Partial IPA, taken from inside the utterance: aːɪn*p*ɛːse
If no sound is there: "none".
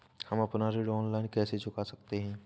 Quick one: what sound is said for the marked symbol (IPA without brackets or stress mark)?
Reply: k